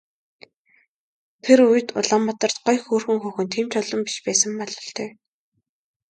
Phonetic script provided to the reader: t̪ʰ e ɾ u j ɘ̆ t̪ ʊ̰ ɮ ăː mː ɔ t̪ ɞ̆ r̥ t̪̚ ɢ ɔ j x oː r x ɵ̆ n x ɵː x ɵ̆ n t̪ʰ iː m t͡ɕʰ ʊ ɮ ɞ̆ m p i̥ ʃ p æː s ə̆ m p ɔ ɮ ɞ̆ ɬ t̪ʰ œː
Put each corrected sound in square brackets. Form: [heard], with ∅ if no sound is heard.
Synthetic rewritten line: t̪ʰ e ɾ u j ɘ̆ t̪ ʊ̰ ɮ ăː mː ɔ t̪ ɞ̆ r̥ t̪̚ ɢ ɔ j x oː r x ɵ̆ [ŋ] x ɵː x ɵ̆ n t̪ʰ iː m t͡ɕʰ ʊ ɮ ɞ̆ m p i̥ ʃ p æː s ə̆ m p ɔ ɮ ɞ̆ ɬ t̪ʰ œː